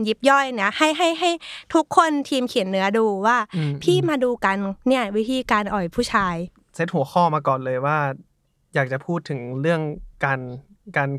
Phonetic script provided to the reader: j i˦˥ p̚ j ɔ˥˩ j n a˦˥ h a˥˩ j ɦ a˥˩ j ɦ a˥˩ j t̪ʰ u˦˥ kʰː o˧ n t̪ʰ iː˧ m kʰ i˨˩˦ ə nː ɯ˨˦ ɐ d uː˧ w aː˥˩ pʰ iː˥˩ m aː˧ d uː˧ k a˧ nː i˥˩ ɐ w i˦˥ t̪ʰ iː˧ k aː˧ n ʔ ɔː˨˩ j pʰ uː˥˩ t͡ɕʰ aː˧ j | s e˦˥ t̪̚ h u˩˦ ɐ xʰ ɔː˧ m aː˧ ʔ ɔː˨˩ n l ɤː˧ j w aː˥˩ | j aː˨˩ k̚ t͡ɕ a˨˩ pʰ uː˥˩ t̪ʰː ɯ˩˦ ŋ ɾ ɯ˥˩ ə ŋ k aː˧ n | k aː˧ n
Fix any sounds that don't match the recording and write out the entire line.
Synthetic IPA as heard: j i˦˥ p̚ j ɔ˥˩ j n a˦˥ h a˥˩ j ɦ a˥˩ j ɦ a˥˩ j t̪ʰ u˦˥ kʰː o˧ n t̪ʰ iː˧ m kʰ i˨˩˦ ə nː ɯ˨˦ ɐ d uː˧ w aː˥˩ pʰ iː˥˩ m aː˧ d uː˧ k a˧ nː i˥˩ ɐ w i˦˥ t̪ʰ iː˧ k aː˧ n ʔ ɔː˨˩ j pʰ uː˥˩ t͡ɕʰ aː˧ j | s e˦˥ t̪̚ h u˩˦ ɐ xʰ ɔː˥˩ m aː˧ k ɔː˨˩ n l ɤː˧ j w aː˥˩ | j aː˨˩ k̚ t͡ɕ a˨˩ pʰ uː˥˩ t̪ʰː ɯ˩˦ ŋ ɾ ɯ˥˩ ə ŋ k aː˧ n | k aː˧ n